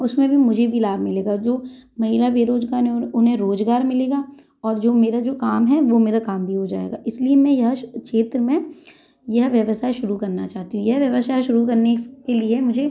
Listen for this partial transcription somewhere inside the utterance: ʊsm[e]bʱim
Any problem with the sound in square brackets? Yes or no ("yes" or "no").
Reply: yes